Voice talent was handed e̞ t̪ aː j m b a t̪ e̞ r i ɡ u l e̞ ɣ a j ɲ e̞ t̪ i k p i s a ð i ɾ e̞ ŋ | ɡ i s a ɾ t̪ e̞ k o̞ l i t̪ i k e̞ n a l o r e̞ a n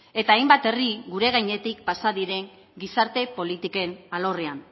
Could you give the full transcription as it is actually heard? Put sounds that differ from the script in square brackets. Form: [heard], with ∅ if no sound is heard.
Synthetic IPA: e̞ t̪ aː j m b a t̪ e̞ r i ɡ u [ɾ] e̞ ɣ a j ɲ e̞ t̪ i k p [a] s a ð i ɾ e̞ ŋ | ɡ i s a ɾ t̪ e̞ [p] o̞ l i t̪ i k e̞ n a l o r e̞ a n